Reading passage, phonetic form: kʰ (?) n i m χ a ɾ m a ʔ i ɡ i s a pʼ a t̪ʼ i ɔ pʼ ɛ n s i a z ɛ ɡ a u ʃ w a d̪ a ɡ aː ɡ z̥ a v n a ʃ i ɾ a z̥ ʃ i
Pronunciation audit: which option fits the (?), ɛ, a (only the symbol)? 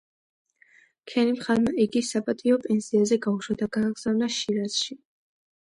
ɛ